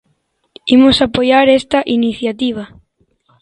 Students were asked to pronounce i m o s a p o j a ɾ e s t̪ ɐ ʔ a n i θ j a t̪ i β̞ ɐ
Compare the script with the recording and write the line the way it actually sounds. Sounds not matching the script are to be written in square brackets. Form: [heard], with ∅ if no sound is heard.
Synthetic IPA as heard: i m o s a p o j a ɾ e s t̪ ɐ ʔ [i] n i θ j a t̪ i β̞ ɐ